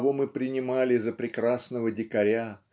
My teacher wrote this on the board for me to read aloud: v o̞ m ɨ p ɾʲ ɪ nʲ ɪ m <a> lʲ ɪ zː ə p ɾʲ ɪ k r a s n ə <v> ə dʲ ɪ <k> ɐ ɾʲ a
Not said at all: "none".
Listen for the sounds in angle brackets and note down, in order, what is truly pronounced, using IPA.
a, v, k

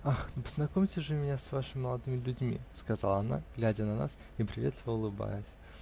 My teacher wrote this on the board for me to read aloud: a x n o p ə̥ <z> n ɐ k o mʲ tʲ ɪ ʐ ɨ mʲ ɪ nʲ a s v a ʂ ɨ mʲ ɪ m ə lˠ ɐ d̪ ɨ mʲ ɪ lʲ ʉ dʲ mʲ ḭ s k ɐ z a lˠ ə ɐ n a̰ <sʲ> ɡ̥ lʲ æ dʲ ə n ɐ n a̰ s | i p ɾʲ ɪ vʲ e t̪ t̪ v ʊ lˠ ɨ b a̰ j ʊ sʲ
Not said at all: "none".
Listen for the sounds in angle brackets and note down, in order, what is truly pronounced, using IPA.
z, none

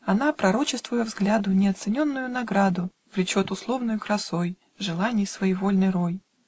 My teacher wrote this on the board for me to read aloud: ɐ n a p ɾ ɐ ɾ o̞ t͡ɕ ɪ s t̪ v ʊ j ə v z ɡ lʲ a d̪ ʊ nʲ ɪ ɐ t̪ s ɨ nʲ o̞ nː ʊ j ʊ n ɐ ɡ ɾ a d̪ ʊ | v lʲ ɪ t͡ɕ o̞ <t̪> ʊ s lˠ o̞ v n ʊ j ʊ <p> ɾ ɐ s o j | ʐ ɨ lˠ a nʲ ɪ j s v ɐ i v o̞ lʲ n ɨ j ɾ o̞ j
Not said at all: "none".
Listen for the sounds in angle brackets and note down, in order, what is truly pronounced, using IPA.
t̪, k

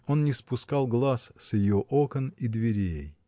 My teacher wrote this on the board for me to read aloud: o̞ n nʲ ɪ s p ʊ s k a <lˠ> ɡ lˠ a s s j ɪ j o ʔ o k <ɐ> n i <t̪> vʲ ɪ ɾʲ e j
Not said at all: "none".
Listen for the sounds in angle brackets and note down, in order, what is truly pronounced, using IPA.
lˠ, ə, d̪

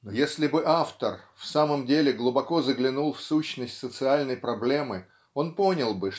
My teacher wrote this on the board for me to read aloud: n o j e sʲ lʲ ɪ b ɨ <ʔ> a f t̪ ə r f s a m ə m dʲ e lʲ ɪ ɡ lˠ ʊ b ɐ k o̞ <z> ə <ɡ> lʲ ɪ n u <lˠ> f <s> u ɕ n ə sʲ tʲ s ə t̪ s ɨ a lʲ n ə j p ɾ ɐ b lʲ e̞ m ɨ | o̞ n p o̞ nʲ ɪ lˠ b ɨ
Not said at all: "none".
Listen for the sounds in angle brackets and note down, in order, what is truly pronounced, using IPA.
ʔ, z, ɡ, lˠ, s

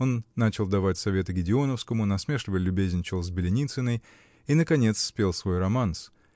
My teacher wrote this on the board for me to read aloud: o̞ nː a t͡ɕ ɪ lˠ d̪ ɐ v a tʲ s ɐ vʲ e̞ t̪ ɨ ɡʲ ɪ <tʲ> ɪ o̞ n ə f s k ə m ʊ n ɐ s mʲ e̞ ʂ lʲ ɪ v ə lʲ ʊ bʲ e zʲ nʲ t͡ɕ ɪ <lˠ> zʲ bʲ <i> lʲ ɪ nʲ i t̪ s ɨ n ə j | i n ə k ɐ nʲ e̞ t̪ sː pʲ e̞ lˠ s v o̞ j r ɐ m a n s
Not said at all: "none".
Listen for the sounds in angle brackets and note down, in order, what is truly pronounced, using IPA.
dʲ, lˠ, ɪ

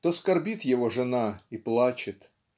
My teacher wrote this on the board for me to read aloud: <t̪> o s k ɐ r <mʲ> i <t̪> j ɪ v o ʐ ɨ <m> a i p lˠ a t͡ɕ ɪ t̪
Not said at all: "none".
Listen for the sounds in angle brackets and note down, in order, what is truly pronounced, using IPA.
t̪, bʲ, t̪, n

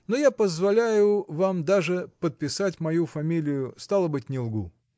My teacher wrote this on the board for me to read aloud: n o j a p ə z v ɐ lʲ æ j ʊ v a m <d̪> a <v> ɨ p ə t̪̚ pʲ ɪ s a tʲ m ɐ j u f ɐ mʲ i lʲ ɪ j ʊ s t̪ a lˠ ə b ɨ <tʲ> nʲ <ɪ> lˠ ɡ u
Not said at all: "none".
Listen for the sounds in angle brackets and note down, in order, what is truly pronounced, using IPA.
d̪, ʐ, tʲ, ɪ

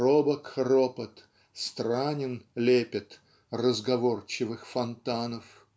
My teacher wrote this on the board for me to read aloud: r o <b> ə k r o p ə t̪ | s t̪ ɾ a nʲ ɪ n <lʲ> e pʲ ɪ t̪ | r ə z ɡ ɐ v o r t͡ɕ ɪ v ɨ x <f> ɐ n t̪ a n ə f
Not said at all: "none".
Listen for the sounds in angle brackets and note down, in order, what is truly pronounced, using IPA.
b, lʲ, f

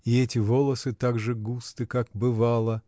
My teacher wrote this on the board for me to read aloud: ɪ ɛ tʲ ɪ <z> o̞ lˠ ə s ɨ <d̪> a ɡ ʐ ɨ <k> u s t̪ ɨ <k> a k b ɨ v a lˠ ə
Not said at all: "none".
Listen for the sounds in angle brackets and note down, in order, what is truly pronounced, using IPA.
v, t̪, ɡ, k

